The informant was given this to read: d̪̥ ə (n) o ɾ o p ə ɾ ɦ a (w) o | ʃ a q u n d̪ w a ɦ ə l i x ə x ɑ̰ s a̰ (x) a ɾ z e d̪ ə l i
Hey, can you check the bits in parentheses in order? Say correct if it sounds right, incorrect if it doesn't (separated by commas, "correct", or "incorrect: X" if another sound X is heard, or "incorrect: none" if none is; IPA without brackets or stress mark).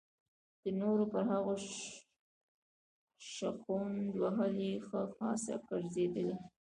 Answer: correct, incorrect: ɣ, incorrect: k